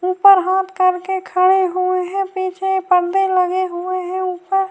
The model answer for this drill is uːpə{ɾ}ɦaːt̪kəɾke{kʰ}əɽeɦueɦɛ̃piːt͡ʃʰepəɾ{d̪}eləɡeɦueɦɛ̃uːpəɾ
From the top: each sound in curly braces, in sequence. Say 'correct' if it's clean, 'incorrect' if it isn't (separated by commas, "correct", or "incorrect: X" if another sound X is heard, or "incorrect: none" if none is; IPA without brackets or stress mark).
correct, correct, correct